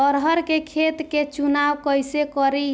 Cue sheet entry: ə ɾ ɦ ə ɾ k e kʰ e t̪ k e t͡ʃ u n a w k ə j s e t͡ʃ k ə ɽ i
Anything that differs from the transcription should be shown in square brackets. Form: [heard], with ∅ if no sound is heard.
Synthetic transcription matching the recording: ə ɾ ɦ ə ɾ k e kʰ e t̪ k e t͡ʃ u n a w k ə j s e [∅] k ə [ɾ] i

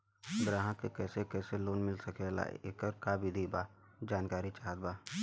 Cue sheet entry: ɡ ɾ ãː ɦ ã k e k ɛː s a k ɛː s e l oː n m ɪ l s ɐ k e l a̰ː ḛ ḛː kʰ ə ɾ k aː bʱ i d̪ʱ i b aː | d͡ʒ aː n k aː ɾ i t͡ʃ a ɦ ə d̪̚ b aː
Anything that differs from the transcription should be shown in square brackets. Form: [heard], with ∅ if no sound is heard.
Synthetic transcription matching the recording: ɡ ɾ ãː ɦ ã k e k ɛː s [e] k ɛː s e l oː n m ɪ l s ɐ k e l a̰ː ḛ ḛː [k] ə ɾ k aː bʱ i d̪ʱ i b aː | d͡ʒ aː n k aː ɾ i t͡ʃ a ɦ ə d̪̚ b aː

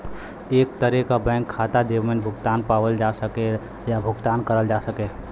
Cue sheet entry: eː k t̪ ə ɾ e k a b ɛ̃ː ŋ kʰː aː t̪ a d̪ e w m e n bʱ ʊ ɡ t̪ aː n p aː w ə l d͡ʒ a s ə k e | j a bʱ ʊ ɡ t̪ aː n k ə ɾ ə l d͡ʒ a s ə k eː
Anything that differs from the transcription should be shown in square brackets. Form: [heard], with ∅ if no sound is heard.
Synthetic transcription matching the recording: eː k t̪ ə ɾ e k a b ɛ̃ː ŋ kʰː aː t̪ a d̪ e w m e n bʱ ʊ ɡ t̪ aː n p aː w ə l d͡ʒ a s ə k e | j a bʱ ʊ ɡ t̪ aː n k ə ɾ ə l d͡ʒ a s ə k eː

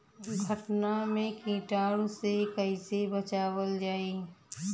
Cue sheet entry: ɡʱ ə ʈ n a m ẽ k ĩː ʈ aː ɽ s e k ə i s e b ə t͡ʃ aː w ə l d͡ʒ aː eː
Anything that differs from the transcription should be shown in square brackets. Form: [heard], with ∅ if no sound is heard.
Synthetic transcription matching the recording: ɡʱ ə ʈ n a m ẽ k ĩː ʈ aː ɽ s e k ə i s e b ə t͡ʃ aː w ə l d͡ʒ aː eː

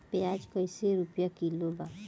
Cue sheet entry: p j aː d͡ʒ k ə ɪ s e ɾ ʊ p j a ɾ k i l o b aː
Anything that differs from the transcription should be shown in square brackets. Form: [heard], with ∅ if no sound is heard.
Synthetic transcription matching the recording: p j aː d͡ʒ k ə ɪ s e ɾ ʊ p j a [∅] k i l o b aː

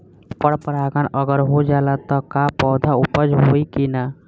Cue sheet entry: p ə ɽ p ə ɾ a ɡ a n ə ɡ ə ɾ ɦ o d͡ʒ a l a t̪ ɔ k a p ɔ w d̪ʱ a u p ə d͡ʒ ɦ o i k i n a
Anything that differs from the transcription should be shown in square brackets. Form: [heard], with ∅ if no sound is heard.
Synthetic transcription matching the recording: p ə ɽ p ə ɾ a ɡ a n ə ɡ ə ɾ ɦ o d͡ʒ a l a t̪ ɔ k a p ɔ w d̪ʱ a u p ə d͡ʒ ɦ o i k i n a

